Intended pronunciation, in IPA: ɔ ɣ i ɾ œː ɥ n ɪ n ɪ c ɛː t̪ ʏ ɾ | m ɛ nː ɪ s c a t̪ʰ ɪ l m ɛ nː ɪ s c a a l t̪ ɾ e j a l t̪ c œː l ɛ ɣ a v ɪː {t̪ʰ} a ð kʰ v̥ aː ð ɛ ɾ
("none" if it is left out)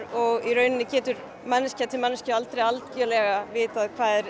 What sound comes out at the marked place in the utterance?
t̪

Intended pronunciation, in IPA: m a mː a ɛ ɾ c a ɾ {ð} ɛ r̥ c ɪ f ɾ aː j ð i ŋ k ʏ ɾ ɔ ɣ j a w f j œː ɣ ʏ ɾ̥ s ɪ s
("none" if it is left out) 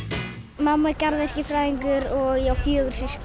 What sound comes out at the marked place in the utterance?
ð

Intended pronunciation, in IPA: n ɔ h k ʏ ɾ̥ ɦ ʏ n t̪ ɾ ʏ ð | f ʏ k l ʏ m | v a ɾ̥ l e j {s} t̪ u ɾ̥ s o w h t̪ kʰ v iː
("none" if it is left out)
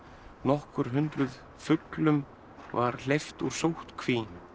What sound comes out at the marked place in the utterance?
f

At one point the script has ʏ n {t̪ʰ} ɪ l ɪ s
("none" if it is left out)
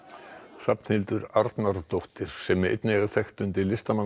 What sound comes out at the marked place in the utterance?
t̪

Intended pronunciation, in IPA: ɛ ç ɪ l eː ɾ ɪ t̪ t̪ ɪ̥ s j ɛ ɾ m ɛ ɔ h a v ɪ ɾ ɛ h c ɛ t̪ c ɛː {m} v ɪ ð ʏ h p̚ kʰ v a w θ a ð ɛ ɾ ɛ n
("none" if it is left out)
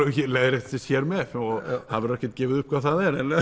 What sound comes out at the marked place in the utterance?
none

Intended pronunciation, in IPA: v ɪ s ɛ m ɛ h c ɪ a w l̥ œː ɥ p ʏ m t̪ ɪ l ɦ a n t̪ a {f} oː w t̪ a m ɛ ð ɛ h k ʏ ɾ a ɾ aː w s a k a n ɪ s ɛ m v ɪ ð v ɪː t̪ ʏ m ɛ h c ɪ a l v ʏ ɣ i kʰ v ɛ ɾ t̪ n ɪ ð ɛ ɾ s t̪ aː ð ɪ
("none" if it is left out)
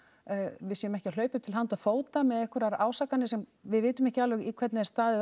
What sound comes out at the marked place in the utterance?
f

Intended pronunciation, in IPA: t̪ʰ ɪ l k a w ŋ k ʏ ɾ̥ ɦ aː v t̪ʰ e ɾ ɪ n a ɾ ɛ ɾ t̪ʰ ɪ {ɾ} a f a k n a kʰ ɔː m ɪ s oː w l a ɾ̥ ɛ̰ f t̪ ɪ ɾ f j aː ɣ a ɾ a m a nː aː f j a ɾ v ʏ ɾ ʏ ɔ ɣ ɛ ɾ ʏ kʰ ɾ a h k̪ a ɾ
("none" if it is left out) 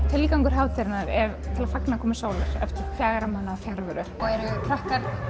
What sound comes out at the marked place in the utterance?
l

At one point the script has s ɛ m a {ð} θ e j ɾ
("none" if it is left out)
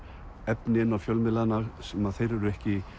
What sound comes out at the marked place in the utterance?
ð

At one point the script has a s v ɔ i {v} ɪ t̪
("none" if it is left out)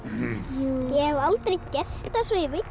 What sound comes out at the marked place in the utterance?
v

